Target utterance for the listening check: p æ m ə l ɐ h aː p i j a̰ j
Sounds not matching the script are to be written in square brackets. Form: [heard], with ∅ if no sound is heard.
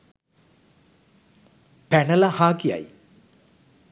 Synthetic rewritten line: p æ [n] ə l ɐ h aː [k] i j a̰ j

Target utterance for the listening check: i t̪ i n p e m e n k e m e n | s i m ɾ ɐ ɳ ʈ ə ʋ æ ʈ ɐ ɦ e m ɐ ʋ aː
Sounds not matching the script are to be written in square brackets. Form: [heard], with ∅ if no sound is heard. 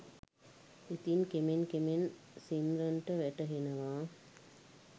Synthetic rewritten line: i t̪ i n [k] e m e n k e m e n | s i m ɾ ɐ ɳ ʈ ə ʋ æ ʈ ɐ ɦ e [n] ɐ ʋ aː

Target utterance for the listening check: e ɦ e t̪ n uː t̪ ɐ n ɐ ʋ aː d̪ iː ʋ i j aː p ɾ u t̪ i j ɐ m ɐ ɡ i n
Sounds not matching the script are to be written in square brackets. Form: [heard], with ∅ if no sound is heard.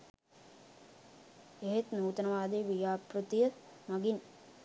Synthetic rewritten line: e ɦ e t̪ n uː t̪ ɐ n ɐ ʋ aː d̪ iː ʋ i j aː p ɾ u t̪ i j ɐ m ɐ ɡ i n

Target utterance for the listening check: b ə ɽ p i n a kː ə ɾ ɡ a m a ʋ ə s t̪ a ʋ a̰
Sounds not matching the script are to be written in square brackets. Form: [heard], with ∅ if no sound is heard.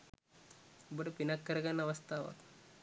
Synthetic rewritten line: b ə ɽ p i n a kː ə ɾ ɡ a [n] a ʋ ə s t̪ a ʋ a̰

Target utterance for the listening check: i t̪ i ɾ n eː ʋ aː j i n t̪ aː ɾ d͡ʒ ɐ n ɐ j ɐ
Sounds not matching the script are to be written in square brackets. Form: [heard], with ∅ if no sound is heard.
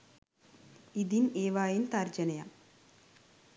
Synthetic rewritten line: i [d̪] i [∅] n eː ʋ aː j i n t̪ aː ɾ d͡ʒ ɐ n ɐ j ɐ

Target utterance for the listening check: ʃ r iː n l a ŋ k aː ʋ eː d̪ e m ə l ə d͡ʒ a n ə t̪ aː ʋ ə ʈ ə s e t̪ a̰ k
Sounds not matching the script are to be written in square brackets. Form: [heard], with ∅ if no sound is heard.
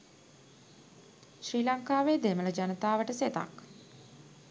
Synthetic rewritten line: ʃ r iː [∅] l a ŋ k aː ʋ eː d̪ e m ə l ə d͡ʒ a n ə t̪ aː ʋ ə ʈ ə s e t̪ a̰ k

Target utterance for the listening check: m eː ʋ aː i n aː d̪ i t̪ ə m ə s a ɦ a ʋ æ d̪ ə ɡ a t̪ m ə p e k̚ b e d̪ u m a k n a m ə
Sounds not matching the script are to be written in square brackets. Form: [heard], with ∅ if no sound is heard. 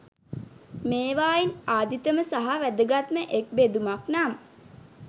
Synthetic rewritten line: m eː ʋ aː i n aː d̪ i t̪ ə m ə s a ɦ a ʋ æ d̪ ə ɡ a t̪ m ə [ʔ] e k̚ b e d̪ u m a k n a m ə

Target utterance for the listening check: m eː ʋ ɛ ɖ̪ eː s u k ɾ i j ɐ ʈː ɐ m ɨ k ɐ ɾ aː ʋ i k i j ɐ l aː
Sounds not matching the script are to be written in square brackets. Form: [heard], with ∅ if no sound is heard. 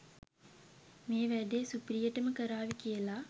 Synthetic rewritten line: m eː ʋ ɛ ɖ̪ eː s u [p] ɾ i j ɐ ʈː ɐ m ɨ k ɐ ɾ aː ʋ i k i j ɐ l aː

